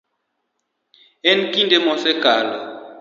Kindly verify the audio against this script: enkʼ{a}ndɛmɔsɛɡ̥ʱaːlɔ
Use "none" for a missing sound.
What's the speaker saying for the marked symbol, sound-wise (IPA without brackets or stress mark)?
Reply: i